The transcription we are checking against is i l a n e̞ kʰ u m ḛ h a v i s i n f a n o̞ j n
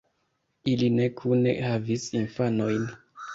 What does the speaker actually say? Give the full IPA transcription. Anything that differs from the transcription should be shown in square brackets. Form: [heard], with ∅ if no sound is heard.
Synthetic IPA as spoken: i l [i] n e̞ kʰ u [n] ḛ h a v i s i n f a n o̞ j n

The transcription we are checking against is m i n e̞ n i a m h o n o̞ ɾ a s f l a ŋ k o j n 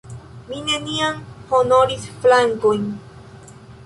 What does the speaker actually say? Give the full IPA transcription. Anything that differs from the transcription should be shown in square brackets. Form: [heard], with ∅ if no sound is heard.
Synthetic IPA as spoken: m i n e̞ n i a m h o n o̞ ɾ [i] s f l a ŋ k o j n

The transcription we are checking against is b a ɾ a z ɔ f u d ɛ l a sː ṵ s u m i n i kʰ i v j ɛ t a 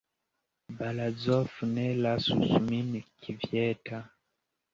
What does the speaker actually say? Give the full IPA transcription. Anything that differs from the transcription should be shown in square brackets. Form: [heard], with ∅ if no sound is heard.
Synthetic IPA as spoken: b a [l] a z ɔ f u [n] ɛ l a [s] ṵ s u m i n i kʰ i v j ɛ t a

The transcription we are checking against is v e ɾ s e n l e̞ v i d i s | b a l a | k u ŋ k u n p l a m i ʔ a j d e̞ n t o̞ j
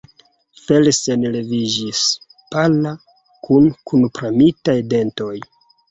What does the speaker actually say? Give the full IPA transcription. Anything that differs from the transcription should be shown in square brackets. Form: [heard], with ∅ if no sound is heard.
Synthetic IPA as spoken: [f] e [l] s e n l e̞ v i [d͡ʒ] i s | [p] a l a | k u [n] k u n p [ɾ] a m i [t] a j d e̞ n t o̞ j

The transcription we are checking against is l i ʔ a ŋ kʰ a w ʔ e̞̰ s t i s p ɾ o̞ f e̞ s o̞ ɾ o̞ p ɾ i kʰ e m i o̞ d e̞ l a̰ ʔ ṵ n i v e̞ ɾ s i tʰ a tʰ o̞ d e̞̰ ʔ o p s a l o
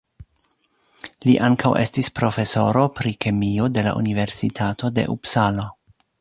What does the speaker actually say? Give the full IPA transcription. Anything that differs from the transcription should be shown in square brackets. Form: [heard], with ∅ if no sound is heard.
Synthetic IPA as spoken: l i ʔ a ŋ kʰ a w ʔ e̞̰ s t i s p ɾ o̞ f e̞ s o̞ ɾ o̞ p ɾ i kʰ e m i o̞ d e̞ l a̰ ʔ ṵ n i v e̞ ɾ s i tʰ a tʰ o̞ d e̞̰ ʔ [u] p s a l o

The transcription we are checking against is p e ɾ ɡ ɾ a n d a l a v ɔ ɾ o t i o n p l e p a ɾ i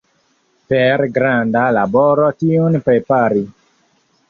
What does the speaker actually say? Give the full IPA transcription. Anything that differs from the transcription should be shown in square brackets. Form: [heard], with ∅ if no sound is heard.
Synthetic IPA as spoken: p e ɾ ɡ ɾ a n d a l a [b] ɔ ɾ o t i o n p [ɾ] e p a ɾ i

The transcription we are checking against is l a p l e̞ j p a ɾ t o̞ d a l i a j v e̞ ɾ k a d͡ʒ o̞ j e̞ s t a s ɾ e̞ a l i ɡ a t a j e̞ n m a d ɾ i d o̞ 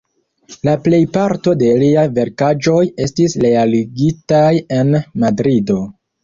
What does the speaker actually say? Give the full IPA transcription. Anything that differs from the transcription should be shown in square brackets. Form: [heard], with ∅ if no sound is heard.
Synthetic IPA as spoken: l a p l e̞ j p a ɾ t o̞ d [e] l i a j v e̞ ɾ k a d͡ʒ o̞ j e̞ s t [i] s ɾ e̞ a l i ɡ [i] t a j e̞ n m a d ɾ i d o̞

